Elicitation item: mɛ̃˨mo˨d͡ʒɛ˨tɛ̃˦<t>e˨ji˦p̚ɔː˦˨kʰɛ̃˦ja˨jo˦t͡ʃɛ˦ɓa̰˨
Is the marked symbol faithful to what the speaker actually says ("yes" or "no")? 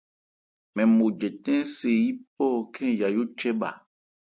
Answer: no